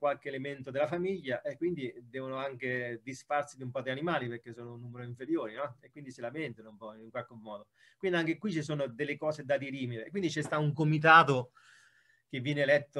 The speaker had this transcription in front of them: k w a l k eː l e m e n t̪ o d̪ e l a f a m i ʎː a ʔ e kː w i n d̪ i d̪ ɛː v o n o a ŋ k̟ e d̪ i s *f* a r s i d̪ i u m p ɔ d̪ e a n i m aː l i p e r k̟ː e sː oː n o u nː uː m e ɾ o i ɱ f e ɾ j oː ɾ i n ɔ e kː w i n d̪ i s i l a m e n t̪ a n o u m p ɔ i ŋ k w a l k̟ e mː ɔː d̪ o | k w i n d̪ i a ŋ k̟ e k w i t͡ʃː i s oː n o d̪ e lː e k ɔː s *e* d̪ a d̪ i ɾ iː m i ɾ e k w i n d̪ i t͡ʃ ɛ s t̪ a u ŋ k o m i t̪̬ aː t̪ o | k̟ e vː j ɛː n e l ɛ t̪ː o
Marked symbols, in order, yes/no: yes, yes

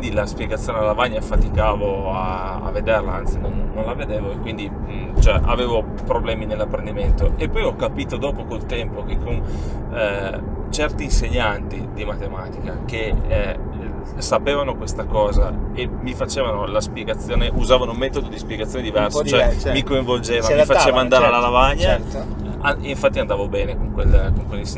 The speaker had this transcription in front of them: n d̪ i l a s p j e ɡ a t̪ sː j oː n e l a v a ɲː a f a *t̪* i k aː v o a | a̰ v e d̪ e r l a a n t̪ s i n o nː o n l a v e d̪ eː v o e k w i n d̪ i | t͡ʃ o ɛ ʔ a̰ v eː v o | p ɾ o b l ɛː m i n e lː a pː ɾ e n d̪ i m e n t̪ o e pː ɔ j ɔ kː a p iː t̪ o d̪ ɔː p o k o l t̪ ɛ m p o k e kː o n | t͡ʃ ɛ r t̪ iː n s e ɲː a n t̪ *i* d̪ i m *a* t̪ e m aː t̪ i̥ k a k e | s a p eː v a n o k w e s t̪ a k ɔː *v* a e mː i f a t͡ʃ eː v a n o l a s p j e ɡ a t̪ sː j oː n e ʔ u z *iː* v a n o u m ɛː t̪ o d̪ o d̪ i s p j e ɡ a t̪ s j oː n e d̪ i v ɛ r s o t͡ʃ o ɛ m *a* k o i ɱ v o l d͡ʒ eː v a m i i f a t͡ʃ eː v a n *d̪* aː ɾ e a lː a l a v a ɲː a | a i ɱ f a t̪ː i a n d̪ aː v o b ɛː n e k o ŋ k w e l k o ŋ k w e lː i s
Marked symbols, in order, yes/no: yes, yes, yes, no, no, no, yes

